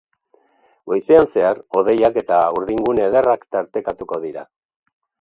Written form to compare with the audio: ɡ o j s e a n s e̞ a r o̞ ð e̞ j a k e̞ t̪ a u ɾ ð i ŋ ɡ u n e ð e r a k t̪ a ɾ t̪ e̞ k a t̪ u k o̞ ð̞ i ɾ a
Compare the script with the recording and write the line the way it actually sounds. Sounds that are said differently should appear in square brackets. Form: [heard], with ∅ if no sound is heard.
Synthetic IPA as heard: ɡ o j s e a n s e̞ a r o̞ ð e̞ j a k e̞ t̪ a u ɾ ð i ŋ ɡ u n e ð e r a k t̪ a ɾ t̪ e̞ k a t̪ u k o̞ ð̞ i ɾ a